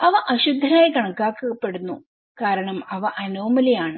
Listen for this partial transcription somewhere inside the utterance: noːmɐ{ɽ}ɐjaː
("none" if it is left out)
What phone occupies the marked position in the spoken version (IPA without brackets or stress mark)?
l